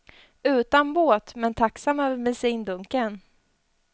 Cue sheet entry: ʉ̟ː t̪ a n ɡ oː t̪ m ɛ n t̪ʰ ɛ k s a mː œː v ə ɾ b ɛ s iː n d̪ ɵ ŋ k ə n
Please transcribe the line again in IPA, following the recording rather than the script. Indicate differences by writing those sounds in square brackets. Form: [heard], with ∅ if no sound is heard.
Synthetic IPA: ʉ̟ː t̪ a n [b] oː t̪ m ɛ n t̪ʰ [a] k s a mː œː v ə ɾ [m] ɛ s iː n d̪ ɵ ŋ k ə n